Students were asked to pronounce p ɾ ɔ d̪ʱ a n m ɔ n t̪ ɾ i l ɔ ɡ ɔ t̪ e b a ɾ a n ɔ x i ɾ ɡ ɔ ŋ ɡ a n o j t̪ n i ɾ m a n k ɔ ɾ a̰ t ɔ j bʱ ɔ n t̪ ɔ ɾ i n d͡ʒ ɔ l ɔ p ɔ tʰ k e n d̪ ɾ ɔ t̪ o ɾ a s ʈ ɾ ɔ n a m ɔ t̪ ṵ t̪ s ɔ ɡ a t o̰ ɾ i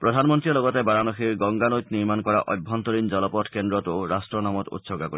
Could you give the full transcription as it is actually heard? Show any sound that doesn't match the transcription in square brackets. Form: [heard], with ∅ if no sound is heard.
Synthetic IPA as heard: p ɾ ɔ d̪ʱ a n m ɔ n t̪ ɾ i l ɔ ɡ ɔ t̪ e b a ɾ a n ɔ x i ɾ ɡ ɔ ŋ ɡ a n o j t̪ n i ɾ m a n k ɔ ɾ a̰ [ʔ] ɔ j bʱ ɔ n t̪ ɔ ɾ i n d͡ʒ ɔ l ɔ p ɔ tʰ k e n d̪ ɾ ɔ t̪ o ɾ a s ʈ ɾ ɔ n a m ɔ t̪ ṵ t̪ s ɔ ɡ a [k] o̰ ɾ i